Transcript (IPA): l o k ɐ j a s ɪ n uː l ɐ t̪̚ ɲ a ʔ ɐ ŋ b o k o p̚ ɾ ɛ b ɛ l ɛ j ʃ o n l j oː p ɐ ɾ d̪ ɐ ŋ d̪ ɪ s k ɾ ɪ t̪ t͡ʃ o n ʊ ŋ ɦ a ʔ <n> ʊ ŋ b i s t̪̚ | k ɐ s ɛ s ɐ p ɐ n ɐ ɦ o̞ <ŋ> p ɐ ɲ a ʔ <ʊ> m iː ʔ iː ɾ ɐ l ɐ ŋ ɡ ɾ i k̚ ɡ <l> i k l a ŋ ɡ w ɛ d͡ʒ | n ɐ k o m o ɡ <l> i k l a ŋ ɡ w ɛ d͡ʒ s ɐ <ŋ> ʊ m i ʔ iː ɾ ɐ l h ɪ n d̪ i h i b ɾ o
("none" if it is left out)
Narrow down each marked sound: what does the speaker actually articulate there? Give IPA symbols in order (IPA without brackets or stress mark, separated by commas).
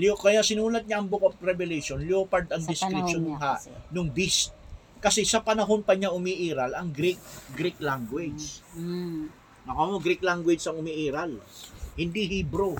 n, n, ʊ, ɾ, ɾ, ŋ